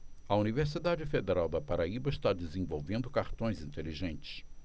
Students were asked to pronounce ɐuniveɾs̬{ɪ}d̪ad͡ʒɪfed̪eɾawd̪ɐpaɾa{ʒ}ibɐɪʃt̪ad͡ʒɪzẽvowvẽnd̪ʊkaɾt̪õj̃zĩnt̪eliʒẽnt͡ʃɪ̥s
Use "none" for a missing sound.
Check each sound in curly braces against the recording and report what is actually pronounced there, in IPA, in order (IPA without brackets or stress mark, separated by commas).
i, none